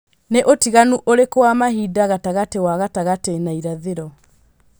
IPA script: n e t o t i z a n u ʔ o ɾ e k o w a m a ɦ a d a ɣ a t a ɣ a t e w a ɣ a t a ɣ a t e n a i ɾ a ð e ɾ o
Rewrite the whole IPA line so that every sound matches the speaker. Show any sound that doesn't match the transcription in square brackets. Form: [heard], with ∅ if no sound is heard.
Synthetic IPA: n e [ʔ] o t i [ɣ] a n u ʔ o ɾ e k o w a m a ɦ [i] d a ɣ a t a ɣ a t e w a ɣ a t a ɣ a t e n a i ɾ a ð e ɾ [ɔ]